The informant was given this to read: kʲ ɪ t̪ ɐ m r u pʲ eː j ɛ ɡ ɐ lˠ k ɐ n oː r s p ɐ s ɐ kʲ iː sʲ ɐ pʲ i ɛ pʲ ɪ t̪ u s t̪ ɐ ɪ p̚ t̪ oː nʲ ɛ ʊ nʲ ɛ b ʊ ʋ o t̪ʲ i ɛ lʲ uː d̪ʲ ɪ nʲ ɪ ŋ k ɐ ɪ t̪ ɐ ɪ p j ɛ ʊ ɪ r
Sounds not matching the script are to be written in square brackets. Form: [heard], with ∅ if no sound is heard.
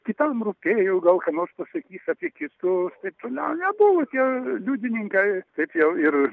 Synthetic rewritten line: kʲ ɪ t̪ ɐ m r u pʲ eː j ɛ ɡ ɐ lˠ k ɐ n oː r s p ɐ s ɐ kʲ iː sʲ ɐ pʲ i ɛ [kʲ] ɪ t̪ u s t̪ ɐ ɪ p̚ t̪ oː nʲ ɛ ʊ nʲ ɛ b ʊ ʋ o t̪ʲ i ɛ lʲ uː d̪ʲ ɪ nʲ ɪ ŋ k ɐ ɪ t̪ ɐ ɪ p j ɛ ʊ ɪ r